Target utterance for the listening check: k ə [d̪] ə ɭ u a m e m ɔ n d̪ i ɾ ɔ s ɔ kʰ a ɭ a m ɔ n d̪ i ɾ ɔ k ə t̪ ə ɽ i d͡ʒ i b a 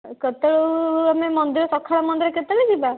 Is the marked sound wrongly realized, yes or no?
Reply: yes